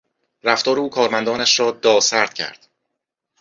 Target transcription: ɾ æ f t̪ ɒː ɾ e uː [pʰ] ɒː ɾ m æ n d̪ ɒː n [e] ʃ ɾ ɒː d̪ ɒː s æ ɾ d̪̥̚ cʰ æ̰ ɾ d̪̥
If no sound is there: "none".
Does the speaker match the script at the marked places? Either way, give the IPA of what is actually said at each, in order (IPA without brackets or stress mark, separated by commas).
kʰ, æ